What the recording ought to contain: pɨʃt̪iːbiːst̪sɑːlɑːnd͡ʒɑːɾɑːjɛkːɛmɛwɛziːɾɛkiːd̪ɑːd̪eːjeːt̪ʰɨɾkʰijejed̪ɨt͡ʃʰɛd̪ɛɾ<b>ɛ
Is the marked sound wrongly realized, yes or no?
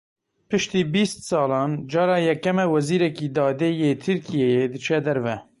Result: yes